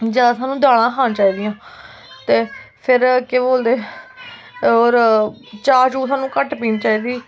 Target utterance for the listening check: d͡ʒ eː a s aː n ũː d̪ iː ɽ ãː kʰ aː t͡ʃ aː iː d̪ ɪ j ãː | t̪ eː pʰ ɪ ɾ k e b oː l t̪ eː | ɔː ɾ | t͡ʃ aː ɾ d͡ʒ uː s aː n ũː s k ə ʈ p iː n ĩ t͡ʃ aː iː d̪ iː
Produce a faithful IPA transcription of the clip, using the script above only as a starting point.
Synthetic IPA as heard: d͡ʒ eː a s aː n ũː d̪ aː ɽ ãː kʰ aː t͡ʃ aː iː d̪ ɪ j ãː | t̪ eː pʰ ɪ ɾ k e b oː l d̪ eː | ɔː ɾ | t͡ʃ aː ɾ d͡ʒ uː s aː n ũː k ə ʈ p iː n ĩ t͡ʃ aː iː d̪ iː